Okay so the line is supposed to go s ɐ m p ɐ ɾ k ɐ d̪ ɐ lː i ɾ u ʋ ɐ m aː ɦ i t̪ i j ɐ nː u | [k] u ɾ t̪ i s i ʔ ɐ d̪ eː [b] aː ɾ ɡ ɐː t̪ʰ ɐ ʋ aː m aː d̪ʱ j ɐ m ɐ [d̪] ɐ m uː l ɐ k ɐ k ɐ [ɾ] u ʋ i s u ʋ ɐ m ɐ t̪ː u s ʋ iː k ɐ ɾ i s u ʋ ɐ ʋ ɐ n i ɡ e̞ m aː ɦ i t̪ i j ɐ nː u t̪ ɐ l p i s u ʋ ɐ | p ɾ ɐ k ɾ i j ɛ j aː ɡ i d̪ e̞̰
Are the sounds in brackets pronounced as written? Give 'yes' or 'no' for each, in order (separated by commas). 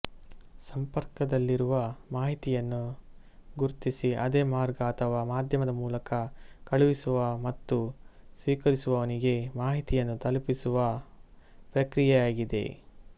no, no, yes, no